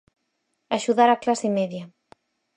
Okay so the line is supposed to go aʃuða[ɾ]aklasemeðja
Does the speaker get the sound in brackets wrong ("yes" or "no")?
no